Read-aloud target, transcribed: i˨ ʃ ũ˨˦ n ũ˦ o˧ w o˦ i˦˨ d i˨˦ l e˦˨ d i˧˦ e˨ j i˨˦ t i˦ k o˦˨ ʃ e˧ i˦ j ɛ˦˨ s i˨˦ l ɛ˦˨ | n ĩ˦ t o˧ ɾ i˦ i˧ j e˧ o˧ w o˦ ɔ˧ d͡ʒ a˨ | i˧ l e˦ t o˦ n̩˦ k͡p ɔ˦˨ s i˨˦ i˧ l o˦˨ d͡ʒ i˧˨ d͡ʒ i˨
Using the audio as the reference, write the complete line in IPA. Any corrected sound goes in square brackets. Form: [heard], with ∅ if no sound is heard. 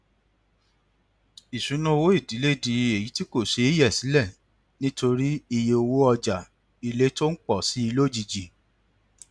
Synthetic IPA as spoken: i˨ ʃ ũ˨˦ n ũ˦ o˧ w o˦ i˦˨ d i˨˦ l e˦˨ d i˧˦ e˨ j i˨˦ t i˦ k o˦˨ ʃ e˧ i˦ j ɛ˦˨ s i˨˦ l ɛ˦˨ | n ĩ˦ t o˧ ɾ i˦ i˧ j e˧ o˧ w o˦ ɔ˧ d͡ʒ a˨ | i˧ l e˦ t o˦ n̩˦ k͡p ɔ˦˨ s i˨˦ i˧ l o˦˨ d͡ʒ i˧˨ d͡ʒ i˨